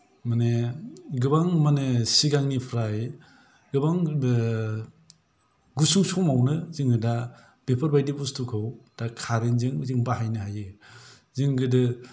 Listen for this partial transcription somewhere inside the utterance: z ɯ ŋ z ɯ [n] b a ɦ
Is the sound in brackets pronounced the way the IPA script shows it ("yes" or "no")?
no